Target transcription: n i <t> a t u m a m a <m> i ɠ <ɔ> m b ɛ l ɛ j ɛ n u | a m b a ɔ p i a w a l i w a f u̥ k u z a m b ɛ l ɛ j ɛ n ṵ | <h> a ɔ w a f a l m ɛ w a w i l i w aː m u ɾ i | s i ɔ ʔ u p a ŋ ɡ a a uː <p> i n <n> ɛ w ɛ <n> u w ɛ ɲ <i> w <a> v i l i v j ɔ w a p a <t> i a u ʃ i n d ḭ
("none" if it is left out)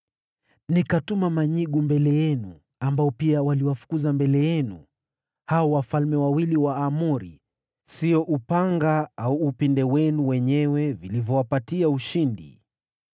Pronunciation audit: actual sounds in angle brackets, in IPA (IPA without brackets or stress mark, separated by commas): k, ɲ, u, h, p, d, n, ɛ, ɛ, t